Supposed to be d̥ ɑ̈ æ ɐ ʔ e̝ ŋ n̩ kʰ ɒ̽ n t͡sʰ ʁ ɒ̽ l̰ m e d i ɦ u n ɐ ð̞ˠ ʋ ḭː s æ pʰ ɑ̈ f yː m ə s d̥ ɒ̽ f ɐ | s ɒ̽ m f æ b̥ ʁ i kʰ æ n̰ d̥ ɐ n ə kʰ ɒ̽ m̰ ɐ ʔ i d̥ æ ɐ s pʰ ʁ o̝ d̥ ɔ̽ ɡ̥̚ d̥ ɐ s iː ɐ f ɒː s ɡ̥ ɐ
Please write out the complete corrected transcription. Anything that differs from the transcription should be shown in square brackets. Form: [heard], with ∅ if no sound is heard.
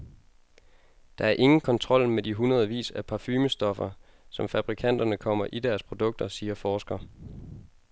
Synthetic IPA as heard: d̥ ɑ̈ æ ɐ ʔ e̝ ŋ n̩ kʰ ɒ̽ n t͡sʰ ʁ ɒ̽ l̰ m e d i ɦ u n ɐ ð̞ˠ ʋ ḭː s æ pʰ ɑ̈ f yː m ə s d̥ ɒ̽ f ɐ | s ɒ̽ m f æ b̥ ʁ i kʰ æ n̰ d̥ ɐ n ə kʰ ɒ̽ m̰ ɐ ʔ i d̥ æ ɐ s pʰ ʁ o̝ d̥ ɔ̽ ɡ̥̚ d̥ ɐ s iː ɐ f ɒː s ɡ̥ ɐ